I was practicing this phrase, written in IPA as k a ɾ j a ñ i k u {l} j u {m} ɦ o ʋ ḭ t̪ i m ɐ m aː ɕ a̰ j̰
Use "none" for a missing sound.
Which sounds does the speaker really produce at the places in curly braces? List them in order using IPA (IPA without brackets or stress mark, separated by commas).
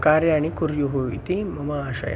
ɾ, none